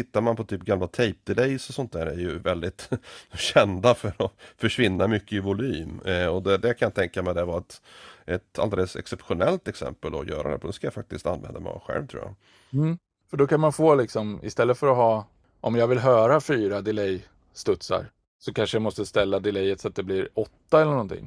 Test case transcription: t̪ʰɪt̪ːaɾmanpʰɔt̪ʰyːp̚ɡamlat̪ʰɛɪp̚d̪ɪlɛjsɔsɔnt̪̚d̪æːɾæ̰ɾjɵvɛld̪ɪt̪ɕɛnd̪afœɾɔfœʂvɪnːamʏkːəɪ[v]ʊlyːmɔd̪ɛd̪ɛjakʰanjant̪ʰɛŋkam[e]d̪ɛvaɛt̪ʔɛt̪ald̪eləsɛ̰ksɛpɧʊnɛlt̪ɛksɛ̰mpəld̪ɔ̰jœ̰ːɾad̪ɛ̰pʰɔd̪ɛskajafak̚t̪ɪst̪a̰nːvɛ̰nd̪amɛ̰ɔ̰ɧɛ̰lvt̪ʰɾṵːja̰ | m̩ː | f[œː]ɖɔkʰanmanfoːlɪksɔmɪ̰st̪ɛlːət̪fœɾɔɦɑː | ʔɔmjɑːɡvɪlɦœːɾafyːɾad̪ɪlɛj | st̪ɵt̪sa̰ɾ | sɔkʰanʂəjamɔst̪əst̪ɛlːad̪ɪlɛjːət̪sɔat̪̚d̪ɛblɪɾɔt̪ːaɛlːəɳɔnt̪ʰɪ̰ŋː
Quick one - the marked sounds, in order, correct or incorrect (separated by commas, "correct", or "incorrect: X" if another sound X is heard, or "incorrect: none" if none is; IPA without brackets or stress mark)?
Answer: correct, incorrect: ɛ, incorrect: œ